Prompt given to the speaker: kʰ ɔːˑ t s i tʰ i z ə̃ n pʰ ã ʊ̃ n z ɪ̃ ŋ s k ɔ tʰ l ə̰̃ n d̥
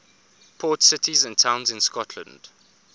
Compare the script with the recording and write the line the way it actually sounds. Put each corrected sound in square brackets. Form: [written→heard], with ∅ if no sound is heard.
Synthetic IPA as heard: [kʰ→pʰ] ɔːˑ t s [i→ɪ] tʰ i z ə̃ n [pʰ→tʰ] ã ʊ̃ n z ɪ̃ [ŋ→n] s k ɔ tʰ l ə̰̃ n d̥